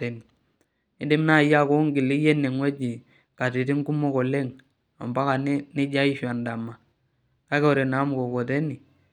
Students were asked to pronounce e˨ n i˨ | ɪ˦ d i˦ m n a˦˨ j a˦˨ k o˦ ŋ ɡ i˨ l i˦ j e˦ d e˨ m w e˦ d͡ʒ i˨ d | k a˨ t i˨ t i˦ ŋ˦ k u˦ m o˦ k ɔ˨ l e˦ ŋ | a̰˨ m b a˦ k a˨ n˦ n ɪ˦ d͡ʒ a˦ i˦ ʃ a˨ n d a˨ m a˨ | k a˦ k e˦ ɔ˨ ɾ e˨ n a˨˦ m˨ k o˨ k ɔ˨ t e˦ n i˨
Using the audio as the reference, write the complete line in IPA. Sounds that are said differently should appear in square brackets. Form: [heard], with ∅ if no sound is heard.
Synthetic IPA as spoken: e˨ n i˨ | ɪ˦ d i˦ m n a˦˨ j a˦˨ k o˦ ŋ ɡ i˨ l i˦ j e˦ [n] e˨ [ŋ] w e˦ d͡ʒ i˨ [∅] | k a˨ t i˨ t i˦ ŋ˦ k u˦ m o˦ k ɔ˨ l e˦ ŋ | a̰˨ m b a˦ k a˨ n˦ n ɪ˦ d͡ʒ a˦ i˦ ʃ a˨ n d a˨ m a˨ | k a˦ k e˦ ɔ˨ ɾ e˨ n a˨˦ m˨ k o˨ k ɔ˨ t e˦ n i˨